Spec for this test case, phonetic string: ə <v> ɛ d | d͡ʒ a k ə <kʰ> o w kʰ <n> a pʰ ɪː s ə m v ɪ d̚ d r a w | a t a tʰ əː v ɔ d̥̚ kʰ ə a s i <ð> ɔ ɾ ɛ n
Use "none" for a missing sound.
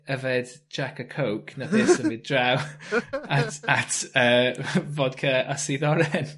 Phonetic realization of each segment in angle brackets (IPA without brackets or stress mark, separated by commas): v, kʰ, n, ð